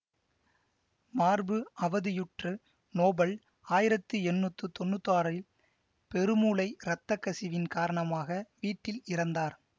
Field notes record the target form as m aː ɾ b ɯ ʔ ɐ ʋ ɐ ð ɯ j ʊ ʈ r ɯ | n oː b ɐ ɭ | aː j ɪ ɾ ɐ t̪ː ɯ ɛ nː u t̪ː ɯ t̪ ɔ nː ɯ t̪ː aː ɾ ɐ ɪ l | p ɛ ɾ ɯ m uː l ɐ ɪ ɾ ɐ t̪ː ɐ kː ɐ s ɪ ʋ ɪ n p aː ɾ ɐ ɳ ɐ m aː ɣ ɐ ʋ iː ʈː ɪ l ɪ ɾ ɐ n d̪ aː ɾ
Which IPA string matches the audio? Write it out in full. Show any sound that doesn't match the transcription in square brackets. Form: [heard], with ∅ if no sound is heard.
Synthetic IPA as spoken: m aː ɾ b ɯ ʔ ɐ ʋ ɐ ð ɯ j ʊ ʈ r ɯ | n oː b ɐ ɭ | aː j ɪ ɾ ɐ t̪ː ɯ ɛ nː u t̪ː ɯ t̪ ɔ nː ɯ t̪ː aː ɾ ɐ ɪ l | p ɛ ɾ ɯ m uː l ɐ ɪ ɾ ɐ t̪ː ɐ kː ɐ s ɪ ʋ ɪ n [k] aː ɾ ɐ ɳ ɐ m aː ɣ ɐ ʋ iː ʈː ɪ l ɪ ɾ ɐ n d̪ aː ɾ